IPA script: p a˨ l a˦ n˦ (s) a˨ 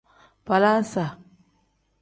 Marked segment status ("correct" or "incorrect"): correct